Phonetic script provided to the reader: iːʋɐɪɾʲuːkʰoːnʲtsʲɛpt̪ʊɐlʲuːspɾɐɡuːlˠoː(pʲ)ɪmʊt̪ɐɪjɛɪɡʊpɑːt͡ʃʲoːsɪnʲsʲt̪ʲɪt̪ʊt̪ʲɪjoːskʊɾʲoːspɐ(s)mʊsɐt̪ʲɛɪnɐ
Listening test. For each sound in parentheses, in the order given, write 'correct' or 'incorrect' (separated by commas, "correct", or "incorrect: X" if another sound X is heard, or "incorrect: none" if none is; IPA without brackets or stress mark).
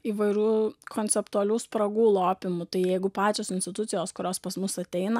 correct, correct